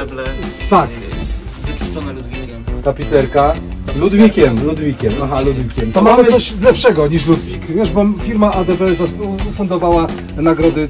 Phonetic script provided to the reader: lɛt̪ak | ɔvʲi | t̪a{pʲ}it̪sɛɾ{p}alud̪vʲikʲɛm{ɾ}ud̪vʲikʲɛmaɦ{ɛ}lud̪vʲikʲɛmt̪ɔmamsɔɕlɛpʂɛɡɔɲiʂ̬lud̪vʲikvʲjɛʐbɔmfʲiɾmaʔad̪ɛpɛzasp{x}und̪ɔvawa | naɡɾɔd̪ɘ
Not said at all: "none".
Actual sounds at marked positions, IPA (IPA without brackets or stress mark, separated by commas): pʲ, k, l, a, f